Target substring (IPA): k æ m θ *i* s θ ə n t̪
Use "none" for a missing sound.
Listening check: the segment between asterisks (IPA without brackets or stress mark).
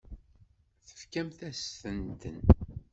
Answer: æ